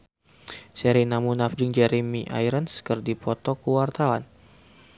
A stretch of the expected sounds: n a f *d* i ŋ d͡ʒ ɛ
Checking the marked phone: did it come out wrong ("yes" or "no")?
no